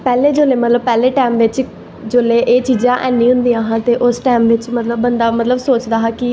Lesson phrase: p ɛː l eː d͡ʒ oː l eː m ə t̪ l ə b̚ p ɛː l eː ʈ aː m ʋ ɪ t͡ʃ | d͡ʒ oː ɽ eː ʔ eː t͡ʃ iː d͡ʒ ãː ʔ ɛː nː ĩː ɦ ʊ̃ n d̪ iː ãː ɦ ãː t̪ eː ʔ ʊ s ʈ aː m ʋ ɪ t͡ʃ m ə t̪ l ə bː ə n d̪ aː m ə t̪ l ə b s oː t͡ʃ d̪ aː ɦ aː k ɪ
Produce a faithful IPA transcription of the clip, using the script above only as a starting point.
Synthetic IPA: p ɛː l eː d͡ʒ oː l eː m ə t̪ l ə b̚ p ɛː l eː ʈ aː m ʋ ɪ t͡ʃ | d͡ʒ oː l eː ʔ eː t͡ʃ iː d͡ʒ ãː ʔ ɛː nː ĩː ɦ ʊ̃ n d̪ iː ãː ɦ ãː t̪ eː ʔ ʊ s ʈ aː m ʋ ɪ t͡ʃ m ə t̪ l ə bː ə n d̪ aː m ə t̪ l ə b s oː t͡ʃ d̪ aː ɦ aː k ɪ